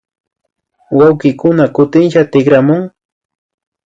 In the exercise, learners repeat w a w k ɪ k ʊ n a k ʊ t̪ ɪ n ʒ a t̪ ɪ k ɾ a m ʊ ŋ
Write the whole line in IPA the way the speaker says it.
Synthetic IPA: w a w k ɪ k ʊ n a k ʊ t̪ ɪ n ʃ a t̪ ɪ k ɾ a m ʊ ŋ